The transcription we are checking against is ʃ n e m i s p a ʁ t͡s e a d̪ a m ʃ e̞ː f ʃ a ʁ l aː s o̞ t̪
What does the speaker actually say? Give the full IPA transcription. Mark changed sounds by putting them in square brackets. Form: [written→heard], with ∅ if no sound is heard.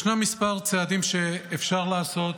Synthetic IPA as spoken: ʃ n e m i s p a ʁ t͡s e a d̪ [a→i] m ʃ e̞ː f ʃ a ʁ l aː s o̞ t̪